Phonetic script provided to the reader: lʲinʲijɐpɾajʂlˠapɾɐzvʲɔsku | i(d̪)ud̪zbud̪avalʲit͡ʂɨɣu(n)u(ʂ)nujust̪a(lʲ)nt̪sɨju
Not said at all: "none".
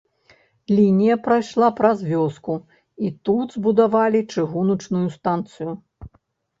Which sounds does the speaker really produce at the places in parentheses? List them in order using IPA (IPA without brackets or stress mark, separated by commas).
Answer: t̪, n, t͡ʂ, none